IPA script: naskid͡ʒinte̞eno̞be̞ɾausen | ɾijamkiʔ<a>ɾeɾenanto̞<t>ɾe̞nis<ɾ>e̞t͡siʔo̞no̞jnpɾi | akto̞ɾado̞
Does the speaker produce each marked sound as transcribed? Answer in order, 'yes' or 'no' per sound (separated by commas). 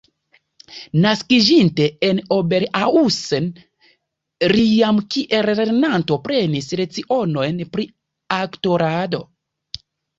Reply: no, no, yes